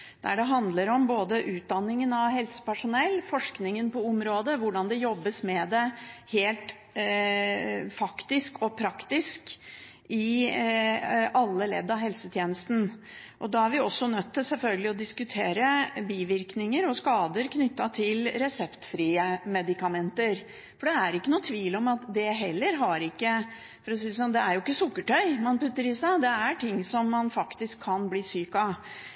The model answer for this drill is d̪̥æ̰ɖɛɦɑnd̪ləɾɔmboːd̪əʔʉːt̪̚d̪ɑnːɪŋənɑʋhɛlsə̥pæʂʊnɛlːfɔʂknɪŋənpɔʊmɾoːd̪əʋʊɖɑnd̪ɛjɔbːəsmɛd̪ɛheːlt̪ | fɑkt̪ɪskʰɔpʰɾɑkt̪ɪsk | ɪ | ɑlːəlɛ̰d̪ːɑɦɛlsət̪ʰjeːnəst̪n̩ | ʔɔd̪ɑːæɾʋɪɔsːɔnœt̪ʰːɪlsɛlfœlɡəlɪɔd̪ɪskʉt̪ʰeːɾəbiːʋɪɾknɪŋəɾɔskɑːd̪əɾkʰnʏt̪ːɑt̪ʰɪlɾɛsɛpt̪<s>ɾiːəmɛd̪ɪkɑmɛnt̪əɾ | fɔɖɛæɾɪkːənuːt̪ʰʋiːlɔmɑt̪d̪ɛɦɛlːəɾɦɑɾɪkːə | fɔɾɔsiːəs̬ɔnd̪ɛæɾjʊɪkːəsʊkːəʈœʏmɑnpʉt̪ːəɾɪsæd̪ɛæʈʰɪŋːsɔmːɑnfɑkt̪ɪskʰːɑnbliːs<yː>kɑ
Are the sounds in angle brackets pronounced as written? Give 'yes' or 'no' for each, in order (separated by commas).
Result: no, yes